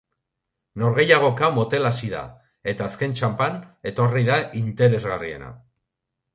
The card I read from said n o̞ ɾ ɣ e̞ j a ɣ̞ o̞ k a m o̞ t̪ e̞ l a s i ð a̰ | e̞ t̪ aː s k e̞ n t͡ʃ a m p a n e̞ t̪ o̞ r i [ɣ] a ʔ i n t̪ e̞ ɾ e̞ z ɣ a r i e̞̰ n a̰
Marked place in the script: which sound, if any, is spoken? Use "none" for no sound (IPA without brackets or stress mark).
ð